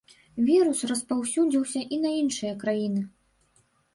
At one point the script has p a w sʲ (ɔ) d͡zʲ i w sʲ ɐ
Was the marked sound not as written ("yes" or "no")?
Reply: yes